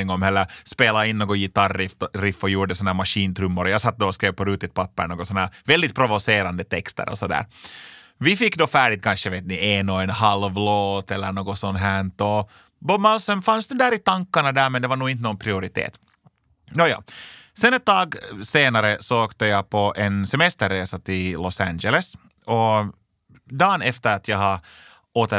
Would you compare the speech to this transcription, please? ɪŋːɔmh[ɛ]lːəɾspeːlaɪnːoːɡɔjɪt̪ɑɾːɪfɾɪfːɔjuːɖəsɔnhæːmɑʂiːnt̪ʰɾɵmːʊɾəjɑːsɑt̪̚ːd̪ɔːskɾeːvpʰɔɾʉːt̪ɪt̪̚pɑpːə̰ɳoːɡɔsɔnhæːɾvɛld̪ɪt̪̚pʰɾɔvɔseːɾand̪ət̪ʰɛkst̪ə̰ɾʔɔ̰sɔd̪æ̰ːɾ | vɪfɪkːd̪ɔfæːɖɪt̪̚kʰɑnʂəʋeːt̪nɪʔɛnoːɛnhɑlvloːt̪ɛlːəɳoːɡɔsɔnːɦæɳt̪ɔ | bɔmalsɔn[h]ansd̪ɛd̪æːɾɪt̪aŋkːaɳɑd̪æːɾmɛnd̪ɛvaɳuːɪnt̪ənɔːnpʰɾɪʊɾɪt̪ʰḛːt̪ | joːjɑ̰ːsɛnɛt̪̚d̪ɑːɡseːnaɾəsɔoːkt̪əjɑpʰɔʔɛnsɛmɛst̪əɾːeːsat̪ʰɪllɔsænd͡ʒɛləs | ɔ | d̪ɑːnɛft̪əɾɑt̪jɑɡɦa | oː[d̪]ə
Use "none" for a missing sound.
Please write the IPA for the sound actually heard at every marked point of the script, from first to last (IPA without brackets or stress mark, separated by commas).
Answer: ɛ, f, t̪